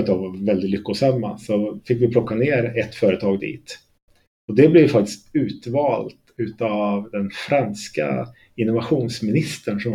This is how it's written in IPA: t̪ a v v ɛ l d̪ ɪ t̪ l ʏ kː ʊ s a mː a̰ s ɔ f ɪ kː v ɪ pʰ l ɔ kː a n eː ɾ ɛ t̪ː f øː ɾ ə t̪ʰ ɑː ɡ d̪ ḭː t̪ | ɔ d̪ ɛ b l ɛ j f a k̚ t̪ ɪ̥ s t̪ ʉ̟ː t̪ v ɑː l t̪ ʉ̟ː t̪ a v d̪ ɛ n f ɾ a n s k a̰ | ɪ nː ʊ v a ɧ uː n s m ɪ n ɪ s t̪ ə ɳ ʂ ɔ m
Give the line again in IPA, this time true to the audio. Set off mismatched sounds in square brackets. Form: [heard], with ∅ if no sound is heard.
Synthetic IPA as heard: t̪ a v v ɛ l d̪ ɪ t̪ l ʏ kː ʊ s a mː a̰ s ɔ f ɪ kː v ɪ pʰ l ɔ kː a n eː ɾ ɛ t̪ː f [œː] ɾ ə t̪ʰ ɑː ɡ d̪ ḭː t̪ | ɔ d̪ ɛ b l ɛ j f a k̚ t̪ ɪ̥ s t̪ ʉ̟ː t̪ v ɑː l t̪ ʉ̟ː t̪ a v d̪ ɛ n f ɾ a n s k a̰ | ɪ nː ʊ v a ɧ uː n s m ɪ n ɪ s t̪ ə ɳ ʂ ɔ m